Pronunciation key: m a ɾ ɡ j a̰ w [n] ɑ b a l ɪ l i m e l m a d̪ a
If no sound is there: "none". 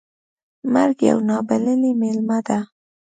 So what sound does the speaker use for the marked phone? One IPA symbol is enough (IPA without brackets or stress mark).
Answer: n